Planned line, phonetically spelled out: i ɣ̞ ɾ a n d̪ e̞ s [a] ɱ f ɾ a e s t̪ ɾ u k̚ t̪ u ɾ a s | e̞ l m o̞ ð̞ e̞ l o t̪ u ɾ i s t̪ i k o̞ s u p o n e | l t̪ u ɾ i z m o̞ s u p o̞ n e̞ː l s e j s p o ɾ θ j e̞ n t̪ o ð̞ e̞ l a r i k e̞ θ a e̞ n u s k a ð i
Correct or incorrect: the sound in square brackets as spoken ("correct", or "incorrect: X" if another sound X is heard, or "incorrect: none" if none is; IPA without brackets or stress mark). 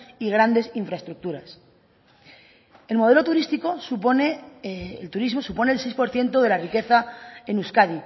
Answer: incorrect: i